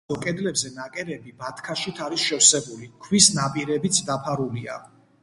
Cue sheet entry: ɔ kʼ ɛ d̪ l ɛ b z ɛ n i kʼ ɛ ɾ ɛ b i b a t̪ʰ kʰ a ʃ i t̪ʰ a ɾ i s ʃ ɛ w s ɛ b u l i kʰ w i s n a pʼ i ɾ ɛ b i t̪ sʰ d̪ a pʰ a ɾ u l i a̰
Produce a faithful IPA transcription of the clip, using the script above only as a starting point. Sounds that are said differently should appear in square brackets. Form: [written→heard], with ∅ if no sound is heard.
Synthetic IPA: ɔ kʼ ɛ d̪ l ɛ b z ɛ n [i→a] kʼ ɛ ɾ ɛ b i b a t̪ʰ kʰ a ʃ i t̪ʰ a ɾ i s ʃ ɛ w s ɛ b u l i kʰ w i s n a pʼ i ɾ ɛ b i t̪ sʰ d̪ a pʰ a ɾ u l i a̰